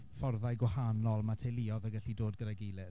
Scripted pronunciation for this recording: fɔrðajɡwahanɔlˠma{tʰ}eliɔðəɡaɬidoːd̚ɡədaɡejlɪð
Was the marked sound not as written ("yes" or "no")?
no